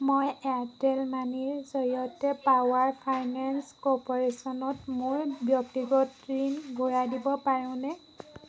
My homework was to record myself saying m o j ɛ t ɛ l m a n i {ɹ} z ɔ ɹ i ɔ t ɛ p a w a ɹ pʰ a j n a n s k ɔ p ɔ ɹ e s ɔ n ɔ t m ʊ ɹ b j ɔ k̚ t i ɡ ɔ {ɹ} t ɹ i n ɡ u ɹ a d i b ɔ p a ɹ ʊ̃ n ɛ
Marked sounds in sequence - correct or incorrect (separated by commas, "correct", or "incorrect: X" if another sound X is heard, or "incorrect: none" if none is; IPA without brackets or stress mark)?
correct, incorrect: none